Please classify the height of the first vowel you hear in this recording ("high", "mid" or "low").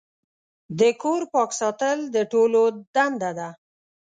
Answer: mid